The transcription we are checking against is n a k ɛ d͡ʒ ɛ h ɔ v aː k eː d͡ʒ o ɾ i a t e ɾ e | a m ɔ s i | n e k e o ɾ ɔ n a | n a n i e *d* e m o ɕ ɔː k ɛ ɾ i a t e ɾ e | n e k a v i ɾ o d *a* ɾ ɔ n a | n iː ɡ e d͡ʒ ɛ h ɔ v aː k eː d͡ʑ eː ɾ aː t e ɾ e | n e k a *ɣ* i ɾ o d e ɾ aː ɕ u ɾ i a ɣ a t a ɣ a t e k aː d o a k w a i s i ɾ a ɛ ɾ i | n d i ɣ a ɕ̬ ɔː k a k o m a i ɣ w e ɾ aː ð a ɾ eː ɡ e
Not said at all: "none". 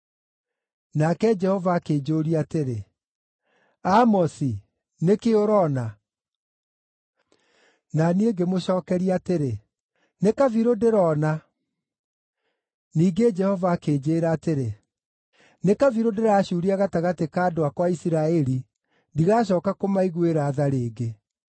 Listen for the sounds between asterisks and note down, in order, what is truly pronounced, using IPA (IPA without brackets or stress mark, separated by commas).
ɡ, e, v